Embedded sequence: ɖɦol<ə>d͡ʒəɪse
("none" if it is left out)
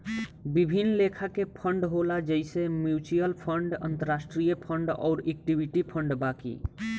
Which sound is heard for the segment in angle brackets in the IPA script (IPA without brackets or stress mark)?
a